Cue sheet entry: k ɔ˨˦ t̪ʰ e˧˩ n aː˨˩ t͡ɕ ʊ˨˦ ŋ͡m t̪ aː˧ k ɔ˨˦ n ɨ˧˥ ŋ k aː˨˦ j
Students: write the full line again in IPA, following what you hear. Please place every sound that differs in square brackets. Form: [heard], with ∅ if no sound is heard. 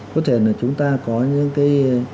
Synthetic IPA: k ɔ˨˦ t̪ʰ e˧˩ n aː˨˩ t͡ɕ ʊ˨˦ ŋ͡m t̪ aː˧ k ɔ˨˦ [ɲ] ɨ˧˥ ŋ k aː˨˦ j

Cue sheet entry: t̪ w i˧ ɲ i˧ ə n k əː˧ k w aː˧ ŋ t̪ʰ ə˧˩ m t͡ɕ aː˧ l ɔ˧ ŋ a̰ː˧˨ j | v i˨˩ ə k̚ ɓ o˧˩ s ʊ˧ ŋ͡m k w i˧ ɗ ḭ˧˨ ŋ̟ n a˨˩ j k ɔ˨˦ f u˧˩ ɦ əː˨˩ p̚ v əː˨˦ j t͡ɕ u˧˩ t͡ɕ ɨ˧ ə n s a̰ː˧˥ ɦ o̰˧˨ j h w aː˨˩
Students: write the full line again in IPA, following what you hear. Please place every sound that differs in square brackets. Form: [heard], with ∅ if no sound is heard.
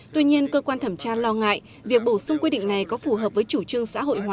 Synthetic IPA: t̪ w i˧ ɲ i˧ ə n k əː˧ k w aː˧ [n] t̪ʰ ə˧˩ m t͡ɕ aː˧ l ɔ˧ ŋ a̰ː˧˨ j | v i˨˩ ə k̚ ɓ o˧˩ s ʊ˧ ŋ͡m k w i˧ ɗ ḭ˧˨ ŋ̟ n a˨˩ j k ɔ˨˦ f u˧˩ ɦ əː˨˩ p̚ v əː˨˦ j t͡ɕ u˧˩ t͡ɕ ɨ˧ ə [ŋ] s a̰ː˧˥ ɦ o̰˧˨ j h w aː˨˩

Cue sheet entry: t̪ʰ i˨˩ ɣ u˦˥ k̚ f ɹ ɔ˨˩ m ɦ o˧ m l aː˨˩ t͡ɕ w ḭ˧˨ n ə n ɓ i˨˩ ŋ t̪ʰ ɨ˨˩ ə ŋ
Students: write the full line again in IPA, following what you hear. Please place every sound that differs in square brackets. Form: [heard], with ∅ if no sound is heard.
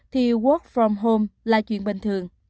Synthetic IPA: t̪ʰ i˨˩ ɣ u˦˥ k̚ f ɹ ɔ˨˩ m ɦ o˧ m l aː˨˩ t͡ɕ w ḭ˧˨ [∅] ə n ɓ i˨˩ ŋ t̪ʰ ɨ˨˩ ə ŋ

